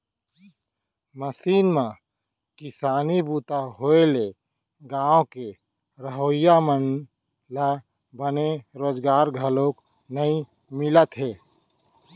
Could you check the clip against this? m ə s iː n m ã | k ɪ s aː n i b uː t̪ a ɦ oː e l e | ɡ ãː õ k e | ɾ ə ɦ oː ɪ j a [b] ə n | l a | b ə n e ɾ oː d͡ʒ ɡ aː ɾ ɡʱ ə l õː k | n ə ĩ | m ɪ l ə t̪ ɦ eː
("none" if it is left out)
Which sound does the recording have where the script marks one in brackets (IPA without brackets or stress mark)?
m